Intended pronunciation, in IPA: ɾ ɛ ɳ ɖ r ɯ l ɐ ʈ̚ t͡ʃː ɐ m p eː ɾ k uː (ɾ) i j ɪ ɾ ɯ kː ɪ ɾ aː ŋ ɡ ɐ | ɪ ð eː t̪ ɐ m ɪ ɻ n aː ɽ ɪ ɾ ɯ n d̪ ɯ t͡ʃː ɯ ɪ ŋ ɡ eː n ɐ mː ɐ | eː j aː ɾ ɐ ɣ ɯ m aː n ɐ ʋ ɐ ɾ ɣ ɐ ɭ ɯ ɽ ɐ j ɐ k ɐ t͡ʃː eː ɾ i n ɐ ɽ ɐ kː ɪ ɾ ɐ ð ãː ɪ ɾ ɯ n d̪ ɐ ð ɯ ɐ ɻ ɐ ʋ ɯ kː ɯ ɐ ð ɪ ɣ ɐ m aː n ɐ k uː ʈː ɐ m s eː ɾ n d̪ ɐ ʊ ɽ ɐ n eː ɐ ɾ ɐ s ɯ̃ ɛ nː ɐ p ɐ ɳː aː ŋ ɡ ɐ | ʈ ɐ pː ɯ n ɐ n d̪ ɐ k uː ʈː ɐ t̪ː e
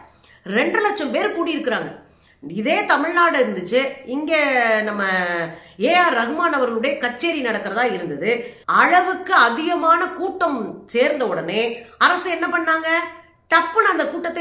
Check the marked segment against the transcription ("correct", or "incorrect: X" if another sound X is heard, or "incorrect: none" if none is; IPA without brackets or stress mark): incorrect: ɽ